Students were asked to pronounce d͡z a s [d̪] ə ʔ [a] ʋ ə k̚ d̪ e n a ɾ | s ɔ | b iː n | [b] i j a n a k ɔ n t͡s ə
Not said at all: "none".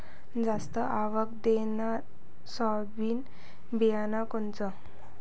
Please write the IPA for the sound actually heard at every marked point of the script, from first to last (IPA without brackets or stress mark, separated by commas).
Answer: t̪, a, b